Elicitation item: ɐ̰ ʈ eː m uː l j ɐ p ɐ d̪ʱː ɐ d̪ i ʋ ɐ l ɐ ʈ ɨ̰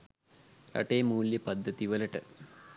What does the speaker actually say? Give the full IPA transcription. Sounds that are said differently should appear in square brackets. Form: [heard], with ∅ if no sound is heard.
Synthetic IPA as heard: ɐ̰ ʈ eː m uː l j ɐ p ɐ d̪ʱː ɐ [t̪] i ʋ ɐ l ɐ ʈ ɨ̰